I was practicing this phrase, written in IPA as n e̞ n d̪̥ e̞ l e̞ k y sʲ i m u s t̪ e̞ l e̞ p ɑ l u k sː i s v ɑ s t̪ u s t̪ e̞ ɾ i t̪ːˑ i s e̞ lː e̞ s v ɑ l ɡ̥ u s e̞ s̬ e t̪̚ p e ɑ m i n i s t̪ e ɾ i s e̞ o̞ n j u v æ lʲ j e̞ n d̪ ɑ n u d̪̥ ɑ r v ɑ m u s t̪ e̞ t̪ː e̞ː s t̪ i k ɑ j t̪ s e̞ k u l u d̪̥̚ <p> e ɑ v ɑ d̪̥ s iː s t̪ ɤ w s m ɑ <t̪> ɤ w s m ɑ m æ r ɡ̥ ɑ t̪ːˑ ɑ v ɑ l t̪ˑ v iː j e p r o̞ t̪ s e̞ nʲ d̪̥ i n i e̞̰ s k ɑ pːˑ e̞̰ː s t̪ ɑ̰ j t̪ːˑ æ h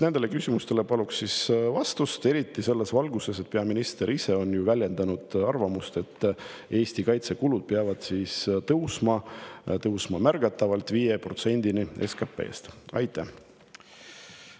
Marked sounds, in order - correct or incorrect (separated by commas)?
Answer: correct, correct